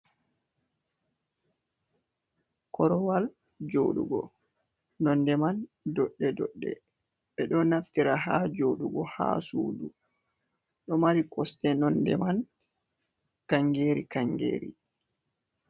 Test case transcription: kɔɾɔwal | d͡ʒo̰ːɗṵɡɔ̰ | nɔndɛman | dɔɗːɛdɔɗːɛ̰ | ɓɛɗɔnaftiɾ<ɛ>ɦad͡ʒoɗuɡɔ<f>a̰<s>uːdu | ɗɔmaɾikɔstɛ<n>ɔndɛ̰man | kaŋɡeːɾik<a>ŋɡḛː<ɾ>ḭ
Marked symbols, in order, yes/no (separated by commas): no, no, yes, yes, yes, yes